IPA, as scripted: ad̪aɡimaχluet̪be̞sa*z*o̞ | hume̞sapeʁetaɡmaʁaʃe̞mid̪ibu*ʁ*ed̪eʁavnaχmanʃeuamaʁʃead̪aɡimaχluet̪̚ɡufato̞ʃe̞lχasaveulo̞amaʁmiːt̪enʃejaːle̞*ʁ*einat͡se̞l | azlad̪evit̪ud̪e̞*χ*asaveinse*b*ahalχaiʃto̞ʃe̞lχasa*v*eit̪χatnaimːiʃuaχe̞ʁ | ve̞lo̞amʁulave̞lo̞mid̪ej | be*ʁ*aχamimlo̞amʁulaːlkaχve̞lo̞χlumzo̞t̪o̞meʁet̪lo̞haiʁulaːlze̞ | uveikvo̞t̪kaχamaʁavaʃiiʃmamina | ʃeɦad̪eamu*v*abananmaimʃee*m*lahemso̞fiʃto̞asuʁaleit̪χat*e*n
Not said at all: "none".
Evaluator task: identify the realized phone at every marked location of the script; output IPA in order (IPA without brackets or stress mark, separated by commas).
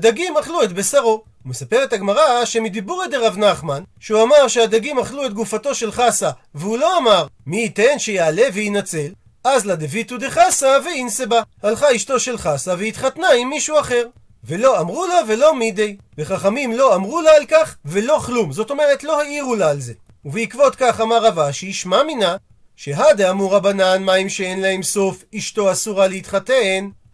ʁ, ʁ, v, χ, b, v, χ, ʁ, n, e